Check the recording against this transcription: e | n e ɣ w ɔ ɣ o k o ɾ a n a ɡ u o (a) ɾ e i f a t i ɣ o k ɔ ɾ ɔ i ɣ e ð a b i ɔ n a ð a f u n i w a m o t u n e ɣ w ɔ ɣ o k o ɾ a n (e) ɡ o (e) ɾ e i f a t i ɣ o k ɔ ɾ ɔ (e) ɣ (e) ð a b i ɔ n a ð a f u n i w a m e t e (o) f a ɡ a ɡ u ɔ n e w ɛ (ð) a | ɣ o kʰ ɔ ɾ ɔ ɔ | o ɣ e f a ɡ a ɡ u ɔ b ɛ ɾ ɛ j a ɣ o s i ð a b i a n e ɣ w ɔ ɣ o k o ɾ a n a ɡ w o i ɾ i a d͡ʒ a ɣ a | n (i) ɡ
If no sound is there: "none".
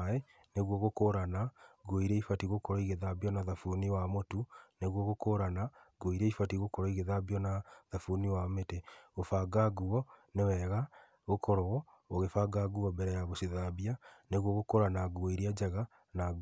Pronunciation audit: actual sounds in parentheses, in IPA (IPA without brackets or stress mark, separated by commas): i, a, i, i, e, o, ɣ, a